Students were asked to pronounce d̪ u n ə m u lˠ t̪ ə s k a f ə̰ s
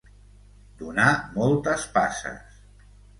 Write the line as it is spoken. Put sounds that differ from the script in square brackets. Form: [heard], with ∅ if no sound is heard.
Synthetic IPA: d̪ u n [a] m [ɔ] lˠ t̪ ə s [p] a [s] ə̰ s